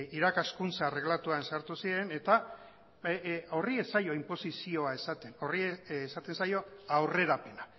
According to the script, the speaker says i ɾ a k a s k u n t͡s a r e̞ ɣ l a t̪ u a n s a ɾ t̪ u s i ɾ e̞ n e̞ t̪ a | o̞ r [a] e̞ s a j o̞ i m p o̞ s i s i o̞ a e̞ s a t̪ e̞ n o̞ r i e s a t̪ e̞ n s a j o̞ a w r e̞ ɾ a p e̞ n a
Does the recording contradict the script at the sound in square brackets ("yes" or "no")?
yes